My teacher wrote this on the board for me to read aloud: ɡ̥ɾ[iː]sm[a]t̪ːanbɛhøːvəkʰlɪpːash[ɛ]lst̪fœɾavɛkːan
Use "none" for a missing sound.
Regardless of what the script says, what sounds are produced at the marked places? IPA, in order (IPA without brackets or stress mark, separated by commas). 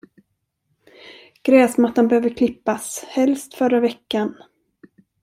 ɛː, a, ɛ